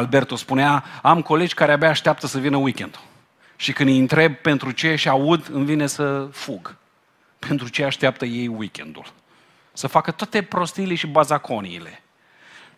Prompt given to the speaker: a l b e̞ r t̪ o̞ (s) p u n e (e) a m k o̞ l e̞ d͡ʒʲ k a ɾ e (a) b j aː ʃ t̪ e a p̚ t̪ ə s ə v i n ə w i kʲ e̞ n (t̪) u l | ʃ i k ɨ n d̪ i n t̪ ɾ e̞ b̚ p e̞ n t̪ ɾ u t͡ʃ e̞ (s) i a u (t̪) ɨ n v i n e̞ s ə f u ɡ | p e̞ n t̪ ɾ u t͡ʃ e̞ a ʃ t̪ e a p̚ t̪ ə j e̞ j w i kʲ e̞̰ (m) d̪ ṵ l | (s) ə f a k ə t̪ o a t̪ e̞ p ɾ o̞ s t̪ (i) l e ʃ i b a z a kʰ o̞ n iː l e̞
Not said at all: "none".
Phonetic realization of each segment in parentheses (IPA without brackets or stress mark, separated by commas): s, a, a, d̪, ʃ, d̪, n, s, i